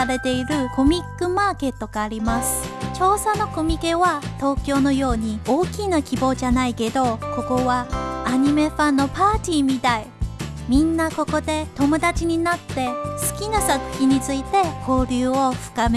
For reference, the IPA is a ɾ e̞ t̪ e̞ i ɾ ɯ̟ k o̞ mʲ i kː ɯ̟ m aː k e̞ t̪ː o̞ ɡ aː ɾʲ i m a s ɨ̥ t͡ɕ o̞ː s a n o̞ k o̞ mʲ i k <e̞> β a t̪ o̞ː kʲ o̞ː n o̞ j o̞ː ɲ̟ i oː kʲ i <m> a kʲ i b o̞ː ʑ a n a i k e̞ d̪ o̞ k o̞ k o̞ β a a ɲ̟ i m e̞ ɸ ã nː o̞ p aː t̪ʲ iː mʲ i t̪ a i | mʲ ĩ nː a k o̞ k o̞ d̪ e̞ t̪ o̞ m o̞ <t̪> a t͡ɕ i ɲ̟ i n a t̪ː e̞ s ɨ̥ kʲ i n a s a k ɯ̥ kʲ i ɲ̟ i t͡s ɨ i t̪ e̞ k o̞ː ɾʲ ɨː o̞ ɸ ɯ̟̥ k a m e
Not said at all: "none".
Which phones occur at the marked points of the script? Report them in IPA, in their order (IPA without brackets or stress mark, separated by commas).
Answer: e̞, n, d̪